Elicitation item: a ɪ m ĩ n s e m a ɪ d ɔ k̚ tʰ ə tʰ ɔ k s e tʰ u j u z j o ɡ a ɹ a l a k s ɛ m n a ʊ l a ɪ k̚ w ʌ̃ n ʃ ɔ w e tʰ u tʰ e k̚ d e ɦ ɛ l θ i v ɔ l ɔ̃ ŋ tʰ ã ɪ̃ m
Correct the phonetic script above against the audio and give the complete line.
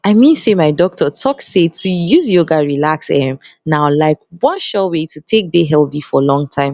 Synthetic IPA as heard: a ɪ m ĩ n s e m a ɪ d ɔ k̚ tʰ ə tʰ ɔ k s e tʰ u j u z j o ɡ a ɹ i l a k s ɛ m n a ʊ l a ɪ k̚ w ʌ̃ n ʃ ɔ w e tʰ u tʰ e k̚ d e ɦ ɛ l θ i f ɔ l ɔ̃ ŋ tʰ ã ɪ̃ m